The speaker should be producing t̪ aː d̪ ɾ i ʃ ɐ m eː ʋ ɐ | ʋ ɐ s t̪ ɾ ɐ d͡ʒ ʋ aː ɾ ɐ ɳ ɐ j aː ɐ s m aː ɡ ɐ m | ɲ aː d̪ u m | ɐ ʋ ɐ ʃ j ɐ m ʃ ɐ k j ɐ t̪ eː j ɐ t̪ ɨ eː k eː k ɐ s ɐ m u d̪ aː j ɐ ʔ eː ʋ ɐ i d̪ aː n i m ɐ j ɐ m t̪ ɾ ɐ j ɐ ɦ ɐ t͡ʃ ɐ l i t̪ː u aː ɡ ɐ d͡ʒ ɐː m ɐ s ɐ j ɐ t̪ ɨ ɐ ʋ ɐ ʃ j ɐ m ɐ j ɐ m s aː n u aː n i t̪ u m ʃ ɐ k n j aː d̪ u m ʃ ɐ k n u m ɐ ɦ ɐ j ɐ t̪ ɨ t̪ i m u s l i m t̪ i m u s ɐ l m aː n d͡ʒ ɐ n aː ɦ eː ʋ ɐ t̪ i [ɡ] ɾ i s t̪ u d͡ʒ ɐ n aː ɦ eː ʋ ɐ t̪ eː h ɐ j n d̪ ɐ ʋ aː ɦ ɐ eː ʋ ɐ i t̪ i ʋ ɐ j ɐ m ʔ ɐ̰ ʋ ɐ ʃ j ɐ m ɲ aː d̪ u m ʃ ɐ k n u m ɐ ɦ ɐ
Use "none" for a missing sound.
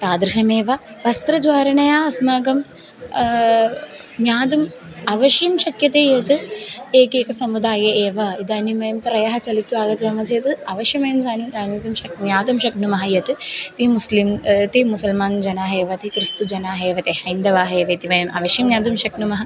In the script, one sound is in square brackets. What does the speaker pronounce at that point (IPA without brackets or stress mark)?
k